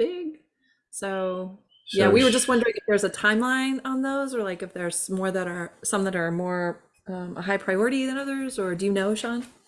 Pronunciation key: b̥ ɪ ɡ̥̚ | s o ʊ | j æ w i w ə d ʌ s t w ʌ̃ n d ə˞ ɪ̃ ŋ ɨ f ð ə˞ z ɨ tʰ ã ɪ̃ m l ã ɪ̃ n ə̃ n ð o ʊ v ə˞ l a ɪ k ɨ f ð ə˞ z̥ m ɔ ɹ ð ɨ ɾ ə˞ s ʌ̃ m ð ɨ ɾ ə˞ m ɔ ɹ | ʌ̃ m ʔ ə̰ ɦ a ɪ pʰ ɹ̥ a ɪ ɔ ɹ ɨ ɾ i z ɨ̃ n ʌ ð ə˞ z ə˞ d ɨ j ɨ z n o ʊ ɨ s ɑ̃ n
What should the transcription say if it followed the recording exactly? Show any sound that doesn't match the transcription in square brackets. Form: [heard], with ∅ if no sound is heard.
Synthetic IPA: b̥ ɪ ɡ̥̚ | s o ʊ | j æ w i w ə [d͡ʒ] ʌ s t w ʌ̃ n d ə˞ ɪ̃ ŋ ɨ f ð ə˞ z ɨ tʰ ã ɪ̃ m l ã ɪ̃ n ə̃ n ð o ʊ [z] ə˞ l a ɪ k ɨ f ð ə˞ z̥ m ɔ ɹ ð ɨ ɾ ə˞ s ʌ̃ m ð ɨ ɾ ə˞ m ɔ ɹ | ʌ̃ m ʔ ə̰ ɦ a ɪ pʰ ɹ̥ a ɪ ɔ ɹ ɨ ɾ i [ð] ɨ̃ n ʌ ð ə˞ z ə˞ d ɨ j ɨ [∅] n o ʊ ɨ [ʃ] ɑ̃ n